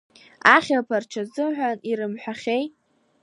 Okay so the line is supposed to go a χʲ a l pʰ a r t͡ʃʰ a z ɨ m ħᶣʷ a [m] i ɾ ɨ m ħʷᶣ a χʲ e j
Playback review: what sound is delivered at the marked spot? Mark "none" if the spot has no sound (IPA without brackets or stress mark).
n